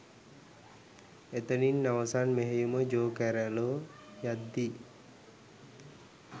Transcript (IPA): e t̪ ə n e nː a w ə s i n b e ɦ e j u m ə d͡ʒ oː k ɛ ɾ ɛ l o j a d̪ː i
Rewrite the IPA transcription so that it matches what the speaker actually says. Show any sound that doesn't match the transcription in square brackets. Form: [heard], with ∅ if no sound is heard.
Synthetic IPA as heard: e t̪ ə n [i] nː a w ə s [a] n [m] e ɦ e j u m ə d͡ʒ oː k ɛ ɾ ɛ l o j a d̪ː i